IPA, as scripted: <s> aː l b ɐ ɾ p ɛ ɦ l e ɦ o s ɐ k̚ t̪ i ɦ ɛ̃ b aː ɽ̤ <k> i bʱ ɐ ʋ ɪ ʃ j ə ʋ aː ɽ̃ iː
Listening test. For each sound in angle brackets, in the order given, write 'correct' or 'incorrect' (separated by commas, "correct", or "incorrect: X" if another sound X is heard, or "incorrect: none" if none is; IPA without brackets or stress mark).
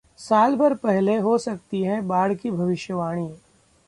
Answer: correct, correct